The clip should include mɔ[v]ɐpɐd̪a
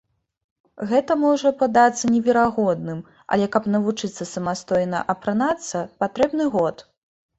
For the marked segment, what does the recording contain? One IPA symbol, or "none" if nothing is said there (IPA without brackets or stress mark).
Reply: ʐ